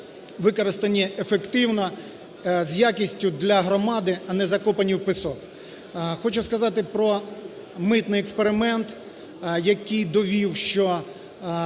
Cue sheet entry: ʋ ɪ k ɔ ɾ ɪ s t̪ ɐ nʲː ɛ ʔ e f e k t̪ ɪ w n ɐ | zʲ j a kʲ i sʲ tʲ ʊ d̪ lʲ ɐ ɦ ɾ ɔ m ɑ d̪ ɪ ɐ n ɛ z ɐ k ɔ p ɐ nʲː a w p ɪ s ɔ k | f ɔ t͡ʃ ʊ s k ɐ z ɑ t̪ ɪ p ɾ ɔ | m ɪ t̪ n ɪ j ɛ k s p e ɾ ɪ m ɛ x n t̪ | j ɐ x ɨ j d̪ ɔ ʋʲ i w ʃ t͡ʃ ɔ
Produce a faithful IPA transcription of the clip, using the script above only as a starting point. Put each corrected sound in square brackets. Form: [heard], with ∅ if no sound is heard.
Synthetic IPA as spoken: ʋ ɪ k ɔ ɾ ɪ s t̪ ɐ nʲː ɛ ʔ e f e k t̪ ɪ w n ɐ | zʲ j a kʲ i sʲ tʲ ʊ d̪ lʲ ɐ ɦ ɾ ɔ m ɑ d̪ ɪ ɐ n ɛ z ɐ k ɔ p ɐ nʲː [i] w p ɪ s ɔ k | [x] ɔ t͡ʃ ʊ s k ɐ z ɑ t̪ ɪ p ɾ ɔ | m ɪ t̪ n ɪ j ɛ k s p e ɾ ɪ m ɛ [∅] n t̪ | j ɐ [k] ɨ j d̪ ɔ ʋʲ i w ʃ t͡ʃ ɔ